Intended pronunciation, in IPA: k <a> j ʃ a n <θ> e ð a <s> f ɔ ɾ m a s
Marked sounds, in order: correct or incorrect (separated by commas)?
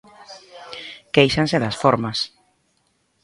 incorrect, incorrect, correct